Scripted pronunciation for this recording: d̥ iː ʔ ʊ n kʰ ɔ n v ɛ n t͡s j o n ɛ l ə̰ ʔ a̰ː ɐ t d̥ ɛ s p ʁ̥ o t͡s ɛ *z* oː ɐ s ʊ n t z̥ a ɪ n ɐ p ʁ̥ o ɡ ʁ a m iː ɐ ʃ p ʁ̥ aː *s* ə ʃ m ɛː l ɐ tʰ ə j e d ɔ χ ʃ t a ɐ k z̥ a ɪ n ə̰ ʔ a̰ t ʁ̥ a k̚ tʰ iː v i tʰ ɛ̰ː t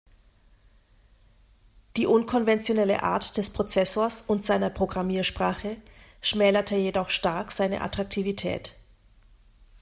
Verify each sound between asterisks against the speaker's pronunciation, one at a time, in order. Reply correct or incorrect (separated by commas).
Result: incorrect, incorrect